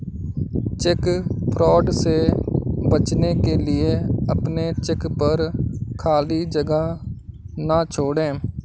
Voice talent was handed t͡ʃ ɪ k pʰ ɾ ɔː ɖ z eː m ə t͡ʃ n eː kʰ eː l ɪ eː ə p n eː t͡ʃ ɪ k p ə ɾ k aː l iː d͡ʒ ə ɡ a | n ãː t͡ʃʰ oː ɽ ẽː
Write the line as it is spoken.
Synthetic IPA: t͡ʃ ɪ k pʰ ɾ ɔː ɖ s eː b ə t͡ʃ n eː k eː l ɪ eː ə p n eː t͡ʃ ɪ k p ə ɾ kʰ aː l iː d͡ʒ ə ɡ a | n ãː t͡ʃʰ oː ɽ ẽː

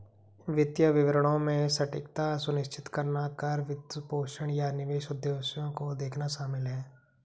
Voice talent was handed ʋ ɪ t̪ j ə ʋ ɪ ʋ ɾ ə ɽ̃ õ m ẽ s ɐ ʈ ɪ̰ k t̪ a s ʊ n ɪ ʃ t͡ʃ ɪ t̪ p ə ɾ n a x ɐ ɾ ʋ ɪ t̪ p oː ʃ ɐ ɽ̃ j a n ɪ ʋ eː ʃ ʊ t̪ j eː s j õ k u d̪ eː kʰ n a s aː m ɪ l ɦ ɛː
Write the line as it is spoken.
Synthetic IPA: ʋ ɪ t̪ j ə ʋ ɪ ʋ ɾ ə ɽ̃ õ m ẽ s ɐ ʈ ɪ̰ k t̪ a s ʊ n ɪ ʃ t͡ʃ ɪ t̪ k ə ɾ n a k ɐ ɾ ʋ ɪ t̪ p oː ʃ ə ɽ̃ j a n ɪ ʋ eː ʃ ʊ d̪ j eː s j õ k o d̪ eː kʰ n a ʃ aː m ɪ l ɦ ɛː

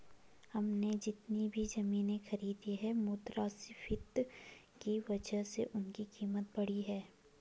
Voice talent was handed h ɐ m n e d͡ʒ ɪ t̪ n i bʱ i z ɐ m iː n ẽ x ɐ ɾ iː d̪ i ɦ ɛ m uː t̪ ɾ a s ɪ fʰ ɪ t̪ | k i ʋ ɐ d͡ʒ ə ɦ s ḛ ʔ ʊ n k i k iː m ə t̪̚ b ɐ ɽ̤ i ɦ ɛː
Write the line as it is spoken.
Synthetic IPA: h ɐ m n e d͡ʒ ɪ t̪ n i bʱ i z ɐ m iː n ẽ x ɐ ɾ iː d̪ i ɦ ɛ m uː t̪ ɾ a s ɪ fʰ ɪ t̪ | k i ʋ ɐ d͡ʒ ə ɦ s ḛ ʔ ʊ n k i k iː m ə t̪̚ b ɐ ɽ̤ i ɦ ɛː

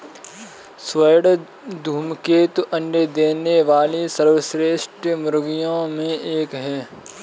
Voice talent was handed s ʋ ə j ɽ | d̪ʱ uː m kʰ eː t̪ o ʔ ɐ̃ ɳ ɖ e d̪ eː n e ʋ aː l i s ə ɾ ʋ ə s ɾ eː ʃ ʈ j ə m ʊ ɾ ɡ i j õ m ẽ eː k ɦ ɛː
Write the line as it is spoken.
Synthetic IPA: s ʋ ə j ɽ | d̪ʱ uː m k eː t̪ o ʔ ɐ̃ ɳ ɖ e d̪ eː n e ʋ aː l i s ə ɾ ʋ ə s ɾ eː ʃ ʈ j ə m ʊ ɾ ɡ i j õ m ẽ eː k ɦ ɛː

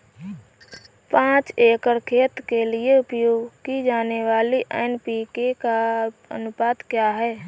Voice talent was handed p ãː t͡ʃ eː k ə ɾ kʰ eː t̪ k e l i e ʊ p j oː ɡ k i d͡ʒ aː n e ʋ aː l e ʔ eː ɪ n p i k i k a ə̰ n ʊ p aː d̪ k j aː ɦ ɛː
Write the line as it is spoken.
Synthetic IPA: p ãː t͡ʃ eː k ə ɾ kʰ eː t̪ k e l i e ʊ p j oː ɡ k i d͡ʒ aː n e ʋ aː l i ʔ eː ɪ n p i k e k a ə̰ n ʊ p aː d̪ k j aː ɦ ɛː

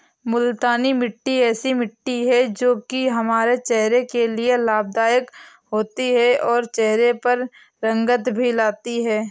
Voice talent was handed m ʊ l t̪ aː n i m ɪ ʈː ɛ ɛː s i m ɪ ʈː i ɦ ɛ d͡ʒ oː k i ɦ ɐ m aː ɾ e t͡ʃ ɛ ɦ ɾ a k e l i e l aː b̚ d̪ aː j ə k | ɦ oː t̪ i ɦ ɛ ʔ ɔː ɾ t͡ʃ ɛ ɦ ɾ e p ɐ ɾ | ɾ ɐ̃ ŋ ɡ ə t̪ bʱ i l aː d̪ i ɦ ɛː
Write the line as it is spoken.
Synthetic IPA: m ʊ l t̪ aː n i m ɪ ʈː i ɛː s i m ɪ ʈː i ɦ ɛ d͡ʒ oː k i ɦ ɐ m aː ɾ e t͡ʃ ɛ ɦ ɾ e k e l i e l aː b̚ d̪ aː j ə k | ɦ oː t̪ i ɦ ɛ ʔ ɔː ɾ t͡ʃ ɛ ɦ ɾ e p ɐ ɾ | ɾ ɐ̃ ŋ ɡ ə t̪ bʱ i l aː t̪ i ɦ ɛː

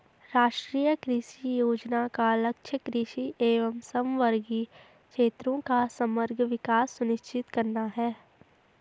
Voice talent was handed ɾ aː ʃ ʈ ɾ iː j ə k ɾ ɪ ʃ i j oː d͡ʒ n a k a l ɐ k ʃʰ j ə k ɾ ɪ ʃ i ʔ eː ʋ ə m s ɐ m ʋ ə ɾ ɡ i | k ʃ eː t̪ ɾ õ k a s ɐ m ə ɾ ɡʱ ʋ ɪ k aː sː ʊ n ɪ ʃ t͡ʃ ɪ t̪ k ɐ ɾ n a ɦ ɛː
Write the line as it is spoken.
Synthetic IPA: ɾ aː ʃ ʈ ɾ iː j ə k ɾ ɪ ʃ i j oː d͡ʒ n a k a l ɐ k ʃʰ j ə k ɾ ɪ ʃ i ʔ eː ʋ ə m s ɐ m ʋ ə ɾ ɡ i | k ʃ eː t̪ ɾ õ k a s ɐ m ə ɾ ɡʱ ʋ ɪ k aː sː ʊ n ɪ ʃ t͡ʃ ɪ t̪ k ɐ ɾ n a ɦ ɛː

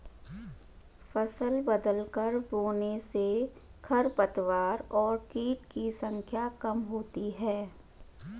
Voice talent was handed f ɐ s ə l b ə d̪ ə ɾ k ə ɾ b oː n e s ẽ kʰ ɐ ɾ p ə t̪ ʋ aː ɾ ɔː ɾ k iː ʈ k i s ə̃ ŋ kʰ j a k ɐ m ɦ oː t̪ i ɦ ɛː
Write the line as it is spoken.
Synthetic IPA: f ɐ s ə l b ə d̪ ə l k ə ɾ b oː n e s e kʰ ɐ ɾ p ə t̪ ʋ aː ɾ ɔː ɾ k iː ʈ k i s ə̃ ŋ kʰ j a k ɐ m ɦ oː t̪ i ɦ ɛː

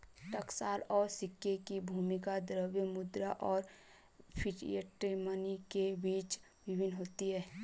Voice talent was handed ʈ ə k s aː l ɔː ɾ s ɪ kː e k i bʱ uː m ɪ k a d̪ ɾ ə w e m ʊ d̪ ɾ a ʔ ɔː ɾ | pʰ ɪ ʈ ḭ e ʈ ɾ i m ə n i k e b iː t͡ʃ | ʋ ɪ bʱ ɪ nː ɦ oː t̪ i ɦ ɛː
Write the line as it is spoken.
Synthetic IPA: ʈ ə k s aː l ɔː ɾ s ɪ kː e k i bʱ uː m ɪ k a d̪ ɾ ə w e m ʊ d̪ ɾ a ʔ ɔː ɾ | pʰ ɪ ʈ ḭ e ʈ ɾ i m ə n i k e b iː t͡ʃ | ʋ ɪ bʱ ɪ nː ɦ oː t̪ i ɦ ɛː

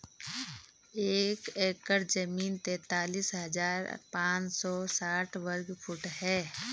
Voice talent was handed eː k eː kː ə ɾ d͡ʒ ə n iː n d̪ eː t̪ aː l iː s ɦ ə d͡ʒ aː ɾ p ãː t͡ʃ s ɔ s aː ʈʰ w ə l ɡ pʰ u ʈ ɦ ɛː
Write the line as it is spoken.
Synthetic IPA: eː k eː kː ə ɾ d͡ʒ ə m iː n t̪ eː t̪ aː l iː s ɦ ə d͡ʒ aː ɾ p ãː t͡ʃ s ɔ s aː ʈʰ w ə ɾ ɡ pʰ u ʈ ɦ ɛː

